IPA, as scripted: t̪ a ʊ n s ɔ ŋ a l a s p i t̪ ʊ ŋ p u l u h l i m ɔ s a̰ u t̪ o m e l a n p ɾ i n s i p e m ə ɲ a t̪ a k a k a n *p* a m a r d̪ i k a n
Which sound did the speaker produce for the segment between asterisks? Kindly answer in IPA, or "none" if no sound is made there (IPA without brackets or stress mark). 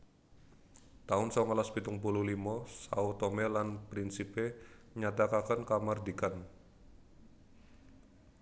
k